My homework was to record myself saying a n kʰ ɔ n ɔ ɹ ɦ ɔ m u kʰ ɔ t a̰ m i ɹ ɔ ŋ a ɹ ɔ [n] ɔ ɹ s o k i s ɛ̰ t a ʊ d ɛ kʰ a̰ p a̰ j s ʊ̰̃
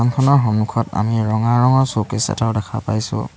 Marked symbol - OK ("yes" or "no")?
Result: no